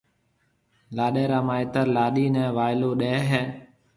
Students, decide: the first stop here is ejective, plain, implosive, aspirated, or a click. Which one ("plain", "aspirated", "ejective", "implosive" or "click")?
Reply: implosive